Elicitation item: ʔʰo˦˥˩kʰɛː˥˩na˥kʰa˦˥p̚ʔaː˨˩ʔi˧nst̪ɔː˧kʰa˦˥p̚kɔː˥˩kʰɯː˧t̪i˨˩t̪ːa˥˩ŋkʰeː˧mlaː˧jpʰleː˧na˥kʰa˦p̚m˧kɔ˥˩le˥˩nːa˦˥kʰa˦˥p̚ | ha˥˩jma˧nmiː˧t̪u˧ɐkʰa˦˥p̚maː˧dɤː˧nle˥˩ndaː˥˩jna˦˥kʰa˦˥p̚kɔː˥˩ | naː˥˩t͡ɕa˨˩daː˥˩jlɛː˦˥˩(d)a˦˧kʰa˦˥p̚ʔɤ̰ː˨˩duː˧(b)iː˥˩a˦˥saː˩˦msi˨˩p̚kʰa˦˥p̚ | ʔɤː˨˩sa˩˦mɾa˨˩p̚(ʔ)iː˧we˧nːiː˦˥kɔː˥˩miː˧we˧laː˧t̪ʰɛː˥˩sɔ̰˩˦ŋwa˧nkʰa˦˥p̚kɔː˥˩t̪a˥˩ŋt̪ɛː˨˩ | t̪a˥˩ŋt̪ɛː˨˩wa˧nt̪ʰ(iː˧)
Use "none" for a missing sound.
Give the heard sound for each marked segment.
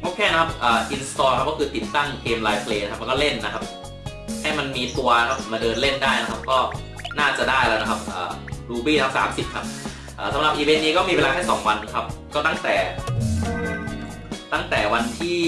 n, b, ʔ, iː˥˩

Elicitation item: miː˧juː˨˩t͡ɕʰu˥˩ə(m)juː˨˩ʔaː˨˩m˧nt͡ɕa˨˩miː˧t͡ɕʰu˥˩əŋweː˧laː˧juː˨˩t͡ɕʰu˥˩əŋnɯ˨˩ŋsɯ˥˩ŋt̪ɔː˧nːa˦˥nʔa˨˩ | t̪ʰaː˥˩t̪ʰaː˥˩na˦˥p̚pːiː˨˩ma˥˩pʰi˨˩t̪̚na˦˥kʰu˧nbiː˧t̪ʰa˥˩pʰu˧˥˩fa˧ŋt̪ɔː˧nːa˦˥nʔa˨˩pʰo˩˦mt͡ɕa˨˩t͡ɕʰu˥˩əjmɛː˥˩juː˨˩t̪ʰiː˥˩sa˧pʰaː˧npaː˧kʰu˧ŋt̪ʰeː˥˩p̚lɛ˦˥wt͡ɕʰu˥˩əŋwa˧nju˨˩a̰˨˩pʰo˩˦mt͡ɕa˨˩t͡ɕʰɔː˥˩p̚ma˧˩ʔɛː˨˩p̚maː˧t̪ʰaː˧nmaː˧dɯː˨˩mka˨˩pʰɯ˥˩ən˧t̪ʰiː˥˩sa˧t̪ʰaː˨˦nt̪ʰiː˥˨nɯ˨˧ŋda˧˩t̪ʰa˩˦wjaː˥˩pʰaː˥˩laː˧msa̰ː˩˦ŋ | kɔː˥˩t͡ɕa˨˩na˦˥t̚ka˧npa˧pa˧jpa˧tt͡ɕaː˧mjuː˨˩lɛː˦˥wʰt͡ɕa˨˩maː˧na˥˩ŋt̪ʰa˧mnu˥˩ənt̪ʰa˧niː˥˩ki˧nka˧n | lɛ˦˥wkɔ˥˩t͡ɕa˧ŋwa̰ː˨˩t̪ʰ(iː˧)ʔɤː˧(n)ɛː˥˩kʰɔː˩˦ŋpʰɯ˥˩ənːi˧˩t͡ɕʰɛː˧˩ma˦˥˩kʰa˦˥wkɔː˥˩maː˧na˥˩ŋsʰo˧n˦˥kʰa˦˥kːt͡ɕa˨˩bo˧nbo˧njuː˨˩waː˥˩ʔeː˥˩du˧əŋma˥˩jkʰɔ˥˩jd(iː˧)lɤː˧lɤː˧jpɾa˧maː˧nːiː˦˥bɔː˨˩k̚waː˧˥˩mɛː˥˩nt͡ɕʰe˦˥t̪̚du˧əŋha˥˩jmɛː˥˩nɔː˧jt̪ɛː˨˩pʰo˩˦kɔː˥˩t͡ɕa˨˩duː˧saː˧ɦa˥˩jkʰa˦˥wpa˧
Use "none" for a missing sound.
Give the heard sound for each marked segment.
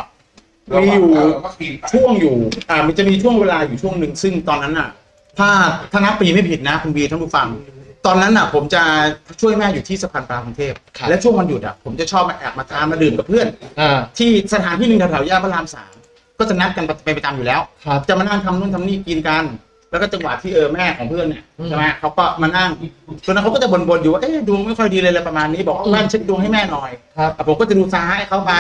ŋ, iː˥˩, m, iː˧

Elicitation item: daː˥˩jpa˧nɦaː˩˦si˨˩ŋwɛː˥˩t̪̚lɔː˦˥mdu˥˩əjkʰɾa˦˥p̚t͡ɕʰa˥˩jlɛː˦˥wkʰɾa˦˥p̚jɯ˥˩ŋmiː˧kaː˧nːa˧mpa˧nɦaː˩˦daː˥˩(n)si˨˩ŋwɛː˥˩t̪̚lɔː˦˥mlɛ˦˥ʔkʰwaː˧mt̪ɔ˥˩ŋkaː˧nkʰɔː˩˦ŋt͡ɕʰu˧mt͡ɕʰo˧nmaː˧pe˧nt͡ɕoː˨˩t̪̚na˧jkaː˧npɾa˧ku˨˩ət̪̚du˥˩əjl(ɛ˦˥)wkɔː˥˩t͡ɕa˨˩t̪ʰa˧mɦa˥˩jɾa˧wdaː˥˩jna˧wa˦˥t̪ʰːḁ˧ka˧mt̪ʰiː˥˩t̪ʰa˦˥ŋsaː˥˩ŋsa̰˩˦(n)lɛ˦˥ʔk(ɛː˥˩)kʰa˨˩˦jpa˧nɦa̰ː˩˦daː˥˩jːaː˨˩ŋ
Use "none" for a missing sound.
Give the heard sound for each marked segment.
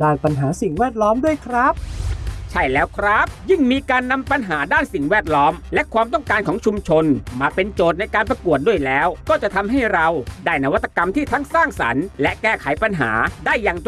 n, ɛː˦˥, n, ɛː˥˩

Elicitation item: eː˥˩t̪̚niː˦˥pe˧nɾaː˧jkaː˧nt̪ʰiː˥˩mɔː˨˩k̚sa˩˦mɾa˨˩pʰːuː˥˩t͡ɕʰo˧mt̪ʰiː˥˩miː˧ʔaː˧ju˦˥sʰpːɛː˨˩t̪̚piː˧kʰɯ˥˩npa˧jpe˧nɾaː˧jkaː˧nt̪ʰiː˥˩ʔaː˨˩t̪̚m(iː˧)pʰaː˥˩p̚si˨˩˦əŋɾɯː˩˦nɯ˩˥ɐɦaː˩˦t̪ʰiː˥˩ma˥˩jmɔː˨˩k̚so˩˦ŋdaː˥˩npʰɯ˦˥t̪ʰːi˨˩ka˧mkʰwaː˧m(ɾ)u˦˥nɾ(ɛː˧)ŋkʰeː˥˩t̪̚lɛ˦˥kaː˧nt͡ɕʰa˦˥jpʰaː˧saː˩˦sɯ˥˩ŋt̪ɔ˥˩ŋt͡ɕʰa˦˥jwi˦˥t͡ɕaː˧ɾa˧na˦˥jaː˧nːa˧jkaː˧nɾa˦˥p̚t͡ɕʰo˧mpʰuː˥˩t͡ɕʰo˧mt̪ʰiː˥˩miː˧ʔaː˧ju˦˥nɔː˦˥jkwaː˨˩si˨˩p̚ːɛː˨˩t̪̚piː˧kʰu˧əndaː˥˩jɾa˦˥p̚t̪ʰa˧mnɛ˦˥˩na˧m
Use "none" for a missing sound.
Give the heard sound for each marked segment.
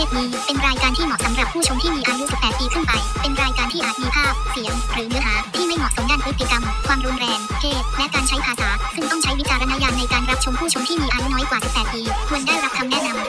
iː˧, ɾ, ɛː˧

